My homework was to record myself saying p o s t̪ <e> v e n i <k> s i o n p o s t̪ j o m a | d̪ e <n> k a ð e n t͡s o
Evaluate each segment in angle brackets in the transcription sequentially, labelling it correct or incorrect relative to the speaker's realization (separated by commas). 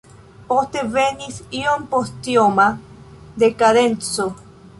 correct, incorrect, incorrect